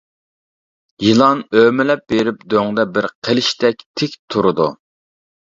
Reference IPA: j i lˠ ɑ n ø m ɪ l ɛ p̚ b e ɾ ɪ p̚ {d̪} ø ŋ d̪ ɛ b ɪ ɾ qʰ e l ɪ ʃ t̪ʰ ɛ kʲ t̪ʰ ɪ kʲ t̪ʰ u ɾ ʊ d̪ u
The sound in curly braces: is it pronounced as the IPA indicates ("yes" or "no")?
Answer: yes